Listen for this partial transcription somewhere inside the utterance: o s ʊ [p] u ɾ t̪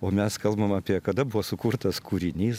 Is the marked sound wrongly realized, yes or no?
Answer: yes